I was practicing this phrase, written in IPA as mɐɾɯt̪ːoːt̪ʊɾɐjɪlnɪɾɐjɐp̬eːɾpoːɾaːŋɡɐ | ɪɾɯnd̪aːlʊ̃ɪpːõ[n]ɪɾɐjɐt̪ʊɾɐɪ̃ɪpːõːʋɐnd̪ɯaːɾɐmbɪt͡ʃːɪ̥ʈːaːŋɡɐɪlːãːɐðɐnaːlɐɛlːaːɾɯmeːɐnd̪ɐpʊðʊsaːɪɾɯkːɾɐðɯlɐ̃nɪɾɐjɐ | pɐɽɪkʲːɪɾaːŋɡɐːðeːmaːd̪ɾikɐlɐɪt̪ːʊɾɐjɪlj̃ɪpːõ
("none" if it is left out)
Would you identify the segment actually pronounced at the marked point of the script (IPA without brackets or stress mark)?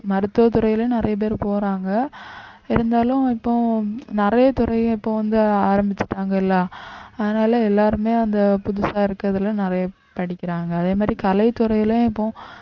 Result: n